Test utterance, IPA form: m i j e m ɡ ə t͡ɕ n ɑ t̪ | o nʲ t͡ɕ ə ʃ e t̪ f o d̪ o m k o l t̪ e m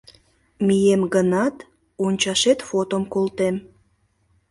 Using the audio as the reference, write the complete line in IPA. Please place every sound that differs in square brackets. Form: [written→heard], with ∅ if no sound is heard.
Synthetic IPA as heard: m i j e m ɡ ə [t͡ɕ→∅] n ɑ t̪ | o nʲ t͡ɕ [ə→ɑ] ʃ e t̪ f o [d̪→t̪] o m k o l t̪ e m